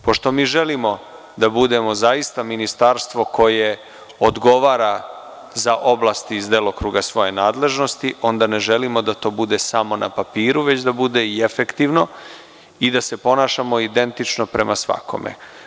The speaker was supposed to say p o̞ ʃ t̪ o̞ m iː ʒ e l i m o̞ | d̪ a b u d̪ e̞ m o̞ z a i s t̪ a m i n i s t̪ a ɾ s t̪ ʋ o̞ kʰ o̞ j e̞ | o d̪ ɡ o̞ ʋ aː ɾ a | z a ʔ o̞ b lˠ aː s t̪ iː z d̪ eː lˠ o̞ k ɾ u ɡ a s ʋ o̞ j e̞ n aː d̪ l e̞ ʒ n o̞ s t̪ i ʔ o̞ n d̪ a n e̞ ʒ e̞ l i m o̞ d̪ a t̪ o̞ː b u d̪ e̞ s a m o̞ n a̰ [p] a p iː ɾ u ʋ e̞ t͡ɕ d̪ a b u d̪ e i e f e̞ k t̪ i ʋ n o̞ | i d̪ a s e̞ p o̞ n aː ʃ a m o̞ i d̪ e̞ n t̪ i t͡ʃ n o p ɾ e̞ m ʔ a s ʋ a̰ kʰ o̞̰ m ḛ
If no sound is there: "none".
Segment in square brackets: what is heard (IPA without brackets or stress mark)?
p